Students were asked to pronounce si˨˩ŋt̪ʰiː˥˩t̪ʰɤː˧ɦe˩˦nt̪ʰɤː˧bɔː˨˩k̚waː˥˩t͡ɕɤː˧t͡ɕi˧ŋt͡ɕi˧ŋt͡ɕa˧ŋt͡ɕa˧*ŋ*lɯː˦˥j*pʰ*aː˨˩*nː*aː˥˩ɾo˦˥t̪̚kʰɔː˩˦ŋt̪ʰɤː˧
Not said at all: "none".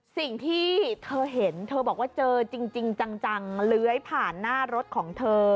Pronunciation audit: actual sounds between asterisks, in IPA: ŋ, pʰ, nː

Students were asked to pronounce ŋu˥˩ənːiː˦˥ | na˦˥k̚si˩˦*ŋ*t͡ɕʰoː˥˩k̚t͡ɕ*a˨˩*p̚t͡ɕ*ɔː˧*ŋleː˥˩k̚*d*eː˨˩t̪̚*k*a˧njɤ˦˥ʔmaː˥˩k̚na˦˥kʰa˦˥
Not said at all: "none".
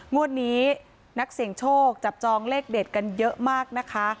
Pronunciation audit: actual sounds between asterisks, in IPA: ŋ, a˨˩, ɔː˧, d, k

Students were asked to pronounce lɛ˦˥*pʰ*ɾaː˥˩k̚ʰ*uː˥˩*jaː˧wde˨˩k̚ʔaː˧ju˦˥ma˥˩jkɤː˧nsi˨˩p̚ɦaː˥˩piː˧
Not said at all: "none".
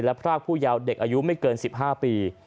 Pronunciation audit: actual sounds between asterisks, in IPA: pʰ, uː˥˩

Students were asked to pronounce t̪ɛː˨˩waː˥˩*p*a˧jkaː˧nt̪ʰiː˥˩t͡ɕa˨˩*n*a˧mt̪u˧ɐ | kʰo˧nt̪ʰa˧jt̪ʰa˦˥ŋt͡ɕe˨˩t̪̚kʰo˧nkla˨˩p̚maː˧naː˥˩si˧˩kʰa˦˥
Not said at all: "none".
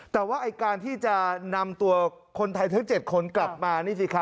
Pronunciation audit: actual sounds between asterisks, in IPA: ʔ, n

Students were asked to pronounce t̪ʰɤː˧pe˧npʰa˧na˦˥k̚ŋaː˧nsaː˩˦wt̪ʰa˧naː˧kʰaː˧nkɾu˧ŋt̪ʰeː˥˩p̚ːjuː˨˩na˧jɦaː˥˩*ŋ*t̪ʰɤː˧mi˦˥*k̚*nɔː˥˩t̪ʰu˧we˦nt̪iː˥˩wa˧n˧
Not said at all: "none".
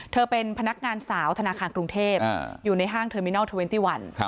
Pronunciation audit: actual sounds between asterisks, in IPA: ŋ, none

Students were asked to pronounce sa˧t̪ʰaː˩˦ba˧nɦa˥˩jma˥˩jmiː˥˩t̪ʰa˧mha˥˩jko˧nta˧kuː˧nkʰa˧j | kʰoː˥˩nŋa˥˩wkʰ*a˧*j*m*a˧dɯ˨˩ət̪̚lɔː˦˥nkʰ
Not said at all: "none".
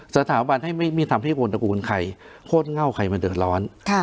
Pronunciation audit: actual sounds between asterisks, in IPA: a˧, m

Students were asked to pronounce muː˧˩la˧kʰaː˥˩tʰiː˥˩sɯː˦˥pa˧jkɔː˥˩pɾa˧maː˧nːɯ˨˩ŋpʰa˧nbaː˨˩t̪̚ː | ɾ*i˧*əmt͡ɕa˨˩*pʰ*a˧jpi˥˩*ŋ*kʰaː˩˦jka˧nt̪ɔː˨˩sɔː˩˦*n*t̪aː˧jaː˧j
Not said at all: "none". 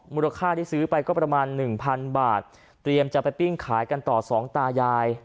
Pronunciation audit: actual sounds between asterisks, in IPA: i˧, p, ŋ, ŋ

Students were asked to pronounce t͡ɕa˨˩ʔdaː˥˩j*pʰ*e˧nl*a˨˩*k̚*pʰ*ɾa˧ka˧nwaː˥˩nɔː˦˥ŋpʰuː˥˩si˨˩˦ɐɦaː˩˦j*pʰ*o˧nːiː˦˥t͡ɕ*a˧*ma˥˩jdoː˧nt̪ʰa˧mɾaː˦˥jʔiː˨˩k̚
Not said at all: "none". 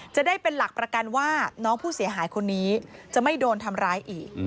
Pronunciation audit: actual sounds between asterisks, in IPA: p, a˨˩, p, kʰ, a˨˩

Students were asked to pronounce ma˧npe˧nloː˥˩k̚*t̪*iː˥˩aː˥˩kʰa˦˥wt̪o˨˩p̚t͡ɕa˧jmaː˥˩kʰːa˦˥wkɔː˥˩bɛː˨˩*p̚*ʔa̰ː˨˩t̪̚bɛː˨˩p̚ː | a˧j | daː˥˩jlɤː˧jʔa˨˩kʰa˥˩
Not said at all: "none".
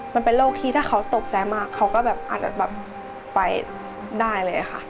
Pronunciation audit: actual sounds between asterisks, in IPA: t̪ʰ, p̚

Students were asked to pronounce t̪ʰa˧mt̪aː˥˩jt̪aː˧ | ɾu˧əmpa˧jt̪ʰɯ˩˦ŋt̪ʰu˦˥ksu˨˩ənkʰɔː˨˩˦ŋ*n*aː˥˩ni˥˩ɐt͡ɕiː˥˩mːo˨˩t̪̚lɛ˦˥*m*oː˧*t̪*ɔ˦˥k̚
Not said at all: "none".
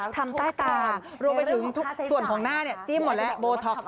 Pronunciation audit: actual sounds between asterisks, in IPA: n, b, t̪ʰ

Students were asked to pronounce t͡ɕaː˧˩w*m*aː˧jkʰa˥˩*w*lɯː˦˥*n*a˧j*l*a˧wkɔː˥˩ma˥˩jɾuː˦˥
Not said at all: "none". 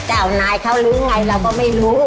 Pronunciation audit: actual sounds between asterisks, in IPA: n, w, ŋ, ɾ

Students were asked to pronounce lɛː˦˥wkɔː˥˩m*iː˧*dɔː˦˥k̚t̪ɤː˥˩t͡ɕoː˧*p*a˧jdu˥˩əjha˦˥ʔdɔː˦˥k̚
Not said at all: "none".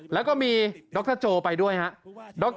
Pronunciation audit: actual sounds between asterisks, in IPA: iː˧, p

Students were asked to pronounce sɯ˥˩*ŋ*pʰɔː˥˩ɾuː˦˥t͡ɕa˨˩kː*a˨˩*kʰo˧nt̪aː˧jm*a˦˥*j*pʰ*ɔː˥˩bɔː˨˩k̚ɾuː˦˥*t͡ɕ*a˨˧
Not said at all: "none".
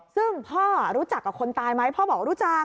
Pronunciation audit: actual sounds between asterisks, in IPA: ŋ, a˨˩, a˦˥, pʰ, t͡ɕ

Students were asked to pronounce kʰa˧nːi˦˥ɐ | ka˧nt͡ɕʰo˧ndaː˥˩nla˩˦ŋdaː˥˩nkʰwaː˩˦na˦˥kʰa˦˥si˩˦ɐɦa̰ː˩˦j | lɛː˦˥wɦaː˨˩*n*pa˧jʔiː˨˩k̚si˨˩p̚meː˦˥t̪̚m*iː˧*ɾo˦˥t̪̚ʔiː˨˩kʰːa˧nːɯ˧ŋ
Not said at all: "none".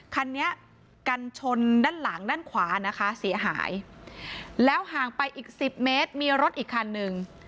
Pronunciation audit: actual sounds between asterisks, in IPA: ŋ, iː˧

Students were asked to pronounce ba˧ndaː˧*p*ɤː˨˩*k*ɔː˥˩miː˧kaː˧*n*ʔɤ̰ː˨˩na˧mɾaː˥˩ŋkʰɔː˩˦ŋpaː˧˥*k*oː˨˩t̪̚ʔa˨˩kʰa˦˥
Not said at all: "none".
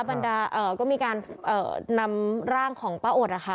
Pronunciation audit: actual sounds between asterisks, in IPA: ʔ, k, n, ʔ

